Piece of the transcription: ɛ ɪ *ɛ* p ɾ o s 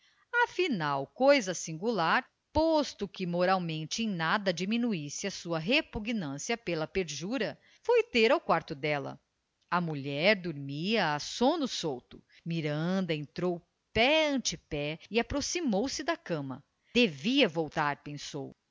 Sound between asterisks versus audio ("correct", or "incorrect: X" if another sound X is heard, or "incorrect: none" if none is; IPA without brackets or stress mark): incorrect: a